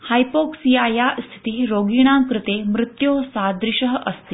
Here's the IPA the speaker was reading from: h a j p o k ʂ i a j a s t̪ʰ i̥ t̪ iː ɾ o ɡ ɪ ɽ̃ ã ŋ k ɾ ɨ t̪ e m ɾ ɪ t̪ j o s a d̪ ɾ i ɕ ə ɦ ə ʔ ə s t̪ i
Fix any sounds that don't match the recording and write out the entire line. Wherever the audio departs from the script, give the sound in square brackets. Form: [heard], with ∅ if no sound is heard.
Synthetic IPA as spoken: h a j p o k [s] i a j a s t̪ʰ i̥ t̪ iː ɾ o ɡ [i] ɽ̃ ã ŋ k ɾ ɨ t̪ e m ɾ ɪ t̪ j o s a d̪ ɾ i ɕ ə ɦ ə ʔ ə s t̪ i